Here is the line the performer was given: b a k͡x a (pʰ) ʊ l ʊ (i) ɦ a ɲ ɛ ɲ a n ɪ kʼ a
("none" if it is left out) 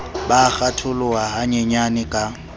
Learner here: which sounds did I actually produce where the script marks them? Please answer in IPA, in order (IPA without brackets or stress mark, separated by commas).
tʰ, a